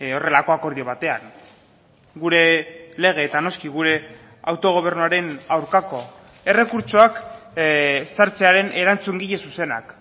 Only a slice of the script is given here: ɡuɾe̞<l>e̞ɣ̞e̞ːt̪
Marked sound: correct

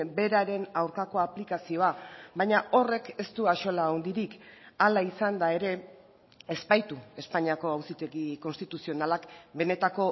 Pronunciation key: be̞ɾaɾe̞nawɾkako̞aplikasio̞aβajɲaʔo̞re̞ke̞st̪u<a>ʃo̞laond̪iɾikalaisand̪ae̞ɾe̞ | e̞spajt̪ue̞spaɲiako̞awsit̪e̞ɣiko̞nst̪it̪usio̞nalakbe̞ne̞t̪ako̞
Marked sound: correct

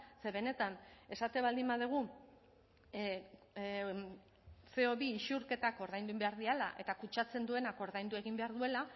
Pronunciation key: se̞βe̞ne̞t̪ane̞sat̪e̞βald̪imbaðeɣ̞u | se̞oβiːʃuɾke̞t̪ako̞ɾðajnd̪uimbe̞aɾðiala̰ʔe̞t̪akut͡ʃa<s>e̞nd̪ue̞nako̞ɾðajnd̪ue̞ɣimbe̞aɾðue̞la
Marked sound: incorrect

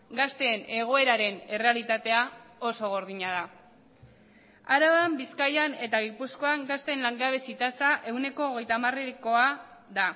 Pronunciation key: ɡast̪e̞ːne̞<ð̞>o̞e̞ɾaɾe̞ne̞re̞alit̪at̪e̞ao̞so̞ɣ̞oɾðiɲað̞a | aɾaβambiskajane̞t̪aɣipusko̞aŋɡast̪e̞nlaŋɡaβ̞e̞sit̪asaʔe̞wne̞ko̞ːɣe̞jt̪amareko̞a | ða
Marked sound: incorrect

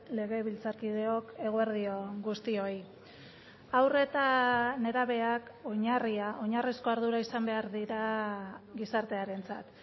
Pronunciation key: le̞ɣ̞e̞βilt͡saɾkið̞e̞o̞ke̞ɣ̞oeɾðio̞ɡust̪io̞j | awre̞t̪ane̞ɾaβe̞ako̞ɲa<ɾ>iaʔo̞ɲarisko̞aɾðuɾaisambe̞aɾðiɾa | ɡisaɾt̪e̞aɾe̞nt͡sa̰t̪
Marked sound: incorrect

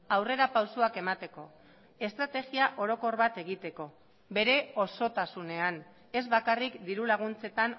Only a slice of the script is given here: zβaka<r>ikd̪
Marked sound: correct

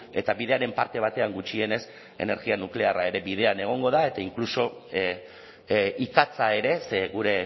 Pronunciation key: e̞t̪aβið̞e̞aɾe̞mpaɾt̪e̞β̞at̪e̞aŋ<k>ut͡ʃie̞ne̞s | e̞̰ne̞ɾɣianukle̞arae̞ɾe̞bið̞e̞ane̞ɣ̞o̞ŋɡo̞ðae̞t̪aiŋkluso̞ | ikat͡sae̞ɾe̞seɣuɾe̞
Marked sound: incorrect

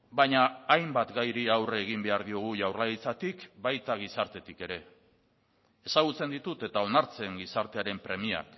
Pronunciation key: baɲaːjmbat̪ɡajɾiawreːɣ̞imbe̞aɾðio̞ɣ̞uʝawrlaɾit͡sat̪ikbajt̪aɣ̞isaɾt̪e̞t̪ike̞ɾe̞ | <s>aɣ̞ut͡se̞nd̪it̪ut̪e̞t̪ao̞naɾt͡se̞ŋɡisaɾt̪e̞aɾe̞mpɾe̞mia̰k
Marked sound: correct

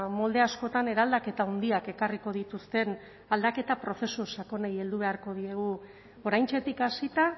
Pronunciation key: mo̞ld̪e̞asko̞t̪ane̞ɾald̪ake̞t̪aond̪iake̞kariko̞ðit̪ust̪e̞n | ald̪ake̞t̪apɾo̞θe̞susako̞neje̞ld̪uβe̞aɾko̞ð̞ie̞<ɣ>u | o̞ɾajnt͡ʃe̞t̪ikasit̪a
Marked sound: correct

